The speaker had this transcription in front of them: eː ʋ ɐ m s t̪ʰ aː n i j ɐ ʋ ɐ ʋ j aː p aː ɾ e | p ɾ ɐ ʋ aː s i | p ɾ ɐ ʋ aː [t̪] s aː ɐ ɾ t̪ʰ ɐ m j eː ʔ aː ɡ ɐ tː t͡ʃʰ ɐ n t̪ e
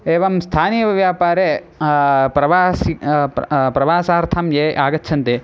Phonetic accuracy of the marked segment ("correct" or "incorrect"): incorrect